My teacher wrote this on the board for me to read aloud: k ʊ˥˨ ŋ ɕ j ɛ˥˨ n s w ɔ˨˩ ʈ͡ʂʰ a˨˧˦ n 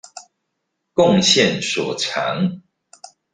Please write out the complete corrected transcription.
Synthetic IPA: k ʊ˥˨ ŋ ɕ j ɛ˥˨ n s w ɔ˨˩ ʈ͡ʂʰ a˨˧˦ ŋ